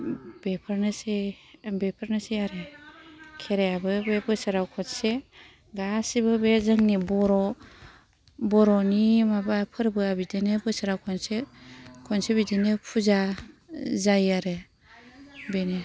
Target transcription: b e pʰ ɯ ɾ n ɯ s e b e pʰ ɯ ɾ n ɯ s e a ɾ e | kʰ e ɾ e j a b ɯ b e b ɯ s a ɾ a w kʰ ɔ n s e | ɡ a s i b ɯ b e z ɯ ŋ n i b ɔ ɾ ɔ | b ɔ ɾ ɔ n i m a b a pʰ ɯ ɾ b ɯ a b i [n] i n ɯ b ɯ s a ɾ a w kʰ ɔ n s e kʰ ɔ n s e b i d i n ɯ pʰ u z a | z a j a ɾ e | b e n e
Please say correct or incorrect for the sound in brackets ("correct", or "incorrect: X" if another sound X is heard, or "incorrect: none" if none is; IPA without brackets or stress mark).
incorrect: d